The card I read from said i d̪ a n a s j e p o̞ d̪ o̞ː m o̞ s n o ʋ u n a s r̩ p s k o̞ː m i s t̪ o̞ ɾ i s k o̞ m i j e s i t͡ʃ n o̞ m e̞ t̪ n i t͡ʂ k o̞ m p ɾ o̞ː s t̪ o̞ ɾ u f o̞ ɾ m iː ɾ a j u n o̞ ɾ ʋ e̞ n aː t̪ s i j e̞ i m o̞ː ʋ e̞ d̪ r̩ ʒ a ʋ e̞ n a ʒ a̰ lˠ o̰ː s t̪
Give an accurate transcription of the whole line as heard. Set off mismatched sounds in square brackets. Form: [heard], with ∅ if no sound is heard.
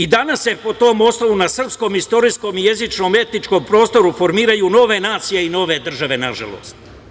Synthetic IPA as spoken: i d̪ a n a s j e p o̞ [t̪] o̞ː m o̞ s n o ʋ u n a s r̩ p s k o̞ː m i s t̪ o̞ ɾ i s k o̞ m i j e [z] i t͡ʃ n o̞ m e̞ t̪ n i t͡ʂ k o̞ m p ɾ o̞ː s t̪ o̞ ɾ u f o̞ ɾ m iː ɾ a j u n o̞ [∅] ʋ e̞ n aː t̪ s i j e̞ i [n] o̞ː ʋ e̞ d̪ r̩ ʒ a ʋ e̞ n a ʒ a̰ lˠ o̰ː s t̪